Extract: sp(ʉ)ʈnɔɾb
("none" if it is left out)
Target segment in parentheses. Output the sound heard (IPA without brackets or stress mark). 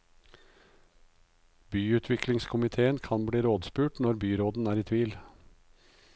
ʉː